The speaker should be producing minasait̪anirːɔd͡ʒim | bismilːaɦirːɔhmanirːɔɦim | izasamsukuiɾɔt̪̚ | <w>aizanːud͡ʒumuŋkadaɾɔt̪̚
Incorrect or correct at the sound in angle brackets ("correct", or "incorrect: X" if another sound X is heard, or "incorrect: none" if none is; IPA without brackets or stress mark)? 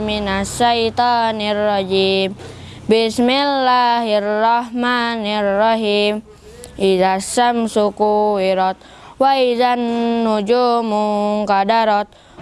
correct